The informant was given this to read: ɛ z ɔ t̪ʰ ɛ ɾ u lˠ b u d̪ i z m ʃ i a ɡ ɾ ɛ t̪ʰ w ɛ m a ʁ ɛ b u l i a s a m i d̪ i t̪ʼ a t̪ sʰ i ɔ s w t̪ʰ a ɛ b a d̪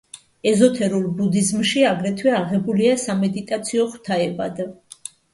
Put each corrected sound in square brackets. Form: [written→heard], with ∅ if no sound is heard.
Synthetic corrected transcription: ɛ z ɔ t̪ʰ ɛ ɾ u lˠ b u d̪ i z m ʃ i a ɡ ɾ ɛ t̪ʰ w ɛ [m→∅] a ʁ ɛ b u l i a s a m [i→ɛ] d̪ i t̪ʼ a t̪ sʰ i ɔ [s→χ] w t̪ʰ a ɛ b a d̪

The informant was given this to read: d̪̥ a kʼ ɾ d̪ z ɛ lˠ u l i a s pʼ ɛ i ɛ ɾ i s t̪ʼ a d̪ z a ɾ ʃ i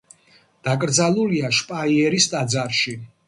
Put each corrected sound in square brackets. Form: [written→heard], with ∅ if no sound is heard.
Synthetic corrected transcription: d̪̥ a kʼ ɾ d̪ z [ɛ→a] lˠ u l i a [s→ʃ] pʼ [ɛ→a] i ɛ ɾ i s t̪ʼ a d̪ z a ɾ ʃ i

